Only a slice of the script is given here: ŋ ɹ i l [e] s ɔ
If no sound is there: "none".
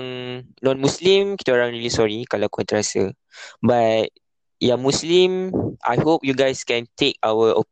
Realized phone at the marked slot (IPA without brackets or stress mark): i